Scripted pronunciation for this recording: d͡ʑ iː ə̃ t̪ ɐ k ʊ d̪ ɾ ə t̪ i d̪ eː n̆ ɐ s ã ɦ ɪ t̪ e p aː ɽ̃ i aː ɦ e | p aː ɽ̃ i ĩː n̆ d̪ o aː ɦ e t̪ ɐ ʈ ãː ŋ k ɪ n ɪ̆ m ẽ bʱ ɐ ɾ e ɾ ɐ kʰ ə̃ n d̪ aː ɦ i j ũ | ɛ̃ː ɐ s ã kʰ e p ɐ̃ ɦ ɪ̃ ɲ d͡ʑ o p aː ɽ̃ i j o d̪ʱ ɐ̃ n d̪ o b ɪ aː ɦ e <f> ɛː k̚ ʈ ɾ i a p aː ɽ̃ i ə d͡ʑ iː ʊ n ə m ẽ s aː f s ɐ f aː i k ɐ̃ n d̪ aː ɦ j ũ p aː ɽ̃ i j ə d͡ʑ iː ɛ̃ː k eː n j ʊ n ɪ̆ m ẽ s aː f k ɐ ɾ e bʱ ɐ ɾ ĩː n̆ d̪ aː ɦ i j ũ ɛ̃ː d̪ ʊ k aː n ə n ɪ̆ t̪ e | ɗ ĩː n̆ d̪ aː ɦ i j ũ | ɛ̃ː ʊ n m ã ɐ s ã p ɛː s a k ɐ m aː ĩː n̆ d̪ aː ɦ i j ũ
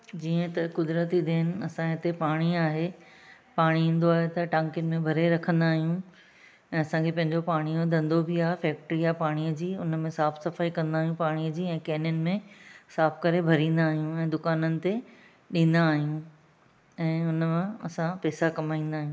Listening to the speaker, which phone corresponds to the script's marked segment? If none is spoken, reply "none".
f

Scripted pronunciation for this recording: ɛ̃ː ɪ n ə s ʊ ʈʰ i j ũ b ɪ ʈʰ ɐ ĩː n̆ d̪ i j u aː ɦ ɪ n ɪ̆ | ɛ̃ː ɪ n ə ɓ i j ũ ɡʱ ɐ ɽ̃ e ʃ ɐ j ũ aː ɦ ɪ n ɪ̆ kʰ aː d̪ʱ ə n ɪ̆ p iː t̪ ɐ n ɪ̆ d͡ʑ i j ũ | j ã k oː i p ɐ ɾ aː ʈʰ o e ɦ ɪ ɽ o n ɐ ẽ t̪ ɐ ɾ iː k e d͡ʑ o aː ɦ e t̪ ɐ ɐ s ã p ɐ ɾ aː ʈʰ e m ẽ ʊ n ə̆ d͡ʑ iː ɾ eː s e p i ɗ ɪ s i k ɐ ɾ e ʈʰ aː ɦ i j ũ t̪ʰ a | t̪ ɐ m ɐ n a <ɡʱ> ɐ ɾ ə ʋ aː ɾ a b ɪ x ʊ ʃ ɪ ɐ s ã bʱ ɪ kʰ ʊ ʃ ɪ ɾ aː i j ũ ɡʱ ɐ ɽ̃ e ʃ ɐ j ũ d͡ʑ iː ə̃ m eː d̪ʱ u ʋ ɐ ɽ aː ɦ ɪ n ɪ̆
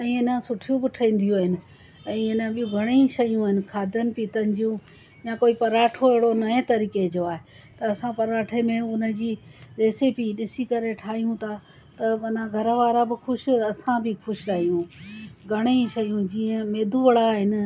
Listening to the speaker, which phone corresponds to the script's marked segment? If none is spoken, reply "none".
ɡʱ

